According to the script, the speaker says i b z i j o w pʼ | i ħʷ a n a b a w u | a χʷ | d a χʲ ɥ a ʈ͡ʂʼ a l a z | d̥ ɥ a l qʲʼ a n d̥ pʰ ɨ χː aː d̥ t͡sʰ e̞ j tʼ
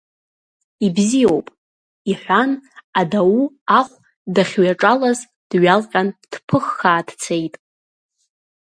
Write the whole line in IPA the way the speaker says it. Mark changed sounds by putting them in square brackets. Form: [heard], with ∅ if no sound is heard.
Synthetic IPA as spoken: i b z i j o w pʼ | i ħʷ a n a [d] a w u | a χʷ | d a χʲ ɥ a ʈ͡ʂʼ a l a z | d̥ ɥ a l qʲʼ a n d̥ pʰ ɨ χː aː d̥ t͡sʰ e̞ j tʼ